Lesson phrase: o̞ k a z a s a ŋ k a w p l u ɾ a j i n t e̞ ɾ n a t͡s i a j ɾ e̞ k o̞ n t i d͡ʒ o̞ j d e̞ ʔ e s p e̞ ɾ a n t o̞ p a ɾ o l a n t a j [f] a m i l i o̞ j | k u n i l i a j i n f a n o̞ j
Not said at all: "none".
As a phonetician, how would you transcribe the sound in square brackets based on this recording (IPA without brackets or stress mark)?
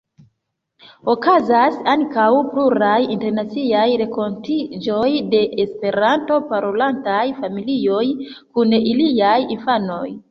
f